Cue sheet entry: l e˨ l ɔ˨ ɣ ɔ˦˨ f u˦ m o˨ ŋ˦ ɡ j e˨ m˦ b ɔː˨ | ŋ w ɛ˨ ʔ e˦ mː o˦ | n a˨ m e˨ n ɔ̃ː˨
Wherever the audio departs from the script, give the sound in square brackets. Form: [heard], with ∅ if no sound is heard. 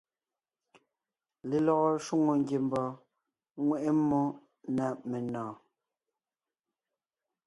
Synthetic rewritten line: l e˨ l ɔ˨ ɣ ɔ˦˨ [ʃ] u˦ [ŋ] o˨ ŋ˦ ɡ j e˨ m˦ b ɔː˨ | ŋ w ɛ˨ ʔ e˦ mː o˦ | n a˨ m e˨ n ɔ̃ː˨